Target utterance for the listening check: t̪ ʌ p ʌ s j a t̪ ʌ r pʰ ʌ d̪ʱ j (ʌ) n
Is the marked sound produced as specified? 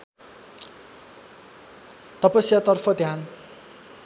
no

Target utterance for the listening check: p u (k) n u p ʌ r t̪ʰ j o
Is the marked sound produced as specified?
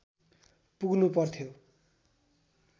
no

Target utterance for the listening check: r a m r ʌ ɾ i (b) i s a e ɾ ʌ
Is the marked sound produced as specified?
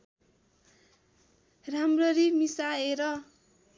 no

